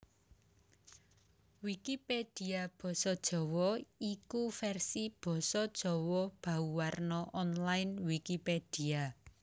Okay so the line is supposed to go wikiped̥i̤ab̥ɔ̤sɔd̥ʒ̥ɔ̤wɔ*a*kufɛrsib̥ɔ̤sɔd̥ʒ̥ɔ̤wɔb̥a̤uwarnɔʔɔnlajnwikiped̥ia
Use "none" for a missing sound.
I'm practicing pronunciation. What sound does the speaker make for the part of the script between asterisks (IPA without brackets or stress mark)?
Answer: i